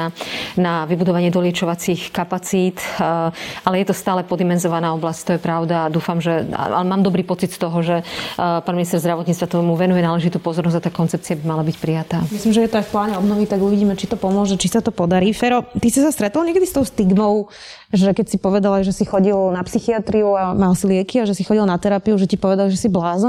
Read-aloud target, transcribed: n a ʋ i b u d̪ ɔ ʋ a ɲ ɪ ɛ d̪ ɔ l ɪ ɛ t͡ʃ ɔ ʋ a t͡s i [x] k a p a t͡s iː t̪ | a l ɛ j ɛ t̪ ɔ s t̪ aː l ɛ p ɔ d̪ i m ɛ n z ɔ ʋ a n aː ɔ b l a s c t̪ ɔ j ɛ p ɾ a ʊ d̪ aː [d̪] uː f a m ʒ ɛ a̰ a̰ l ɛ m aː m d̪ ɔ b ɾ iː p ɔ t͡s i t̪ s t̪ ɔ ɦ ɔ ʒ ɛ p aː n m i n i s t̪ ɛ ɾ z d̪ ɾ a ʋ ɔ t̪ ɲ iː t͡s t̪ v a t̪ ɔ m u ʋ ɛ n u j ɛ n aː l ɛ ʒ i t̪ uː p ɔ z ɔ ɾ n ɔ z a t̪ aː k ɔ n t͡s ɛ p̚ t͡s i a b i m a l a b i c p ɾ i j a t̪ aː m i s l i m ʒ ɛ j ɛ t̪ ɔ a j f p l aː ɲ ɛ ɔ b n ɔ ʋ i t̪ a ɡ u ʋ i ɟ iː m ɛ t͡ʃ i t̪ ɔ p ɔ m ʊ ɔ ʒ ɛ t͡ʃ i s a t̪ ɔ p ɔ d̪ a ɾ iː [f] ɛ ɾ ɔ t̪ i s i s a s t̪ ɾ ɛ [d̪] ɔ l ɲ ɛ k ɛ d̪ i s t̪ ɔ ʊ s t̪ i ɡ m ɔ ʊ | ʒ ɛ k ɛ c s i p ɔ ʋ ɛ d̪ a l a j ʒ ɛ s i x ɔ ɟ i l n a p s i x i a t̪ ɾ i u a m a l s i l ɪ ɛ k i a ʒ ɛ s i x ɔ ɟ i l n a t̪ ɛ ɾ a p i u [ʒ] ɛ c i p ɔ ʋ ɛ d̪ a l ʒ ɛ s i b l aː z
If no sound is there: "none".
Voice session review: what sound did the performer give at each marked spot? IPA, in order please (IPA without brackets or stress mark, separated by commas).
x, d̪, f, t̪, ʒ